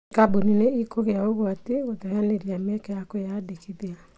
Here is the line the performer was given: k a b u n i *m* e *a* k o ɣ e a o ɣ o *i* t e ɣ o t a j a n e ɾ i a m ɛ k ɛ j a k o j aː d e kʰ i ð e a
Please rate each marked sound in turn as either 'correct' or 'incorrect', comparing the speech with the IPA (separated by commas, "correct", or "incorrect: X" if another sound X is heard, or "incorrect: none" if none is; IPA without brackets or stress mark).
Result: incorrect: n, incorrect: i, incorrect: a